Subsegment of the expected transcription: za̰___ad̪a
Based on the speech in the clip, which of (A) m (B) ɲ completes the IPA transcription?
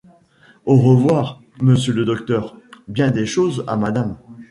A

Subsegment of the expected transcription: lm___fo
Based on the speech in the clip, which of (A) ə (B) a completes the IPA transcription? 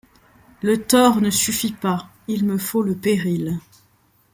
A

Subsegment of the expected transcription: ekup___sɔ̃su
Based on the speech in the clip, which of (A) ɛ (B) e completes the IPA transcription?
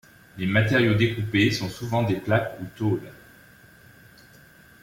B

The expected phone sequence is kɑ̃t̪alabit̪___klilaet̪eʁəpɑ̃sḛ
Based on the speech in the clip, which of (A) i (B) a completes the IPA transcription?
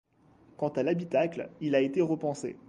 B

